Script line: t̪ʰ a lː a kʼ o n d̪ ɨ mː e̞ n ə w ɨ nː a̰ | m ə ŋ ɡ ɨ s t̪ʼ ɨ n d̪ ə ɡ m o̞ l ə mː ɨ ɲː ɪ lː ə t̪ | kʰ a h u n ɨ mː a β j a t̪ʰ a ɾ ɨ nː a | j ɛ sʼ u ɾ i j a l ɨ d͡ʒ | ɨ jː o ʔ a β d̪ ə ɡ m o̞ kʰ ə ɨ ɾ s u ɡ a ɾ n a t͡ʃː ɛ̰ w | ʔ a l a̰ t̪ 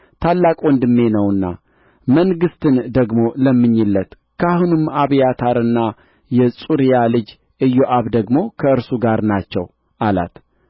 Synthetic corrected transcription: t̪ʰ a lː a kʼ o n d̪ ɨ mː e̞ n ə w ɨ nː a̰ | m ə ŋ ɡ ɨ s t̪ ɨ n d̪ ə ɡ m o̞ l ə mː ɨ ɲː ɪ lː ə t̪ | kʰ a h u n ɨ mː a β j a t̪ʰ a ɾ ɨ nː a | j ɛ sʼ u ɾ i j a l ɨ d͡ʒ | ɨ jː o ʔ a β d̪ ə ɡ m o̞ kʰ ə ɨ ɾ s u ɡ a ɾ n a t͡ʃː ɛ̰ w | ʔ a l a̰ t̪